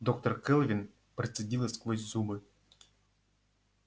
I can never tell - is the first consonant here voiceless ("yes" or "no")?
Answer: no